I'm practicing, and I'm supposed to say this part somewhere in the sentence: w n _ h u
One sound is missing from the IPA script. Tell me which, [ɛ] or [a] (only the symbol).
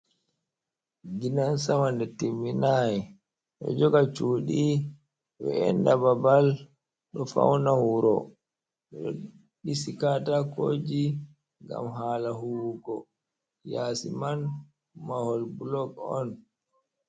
a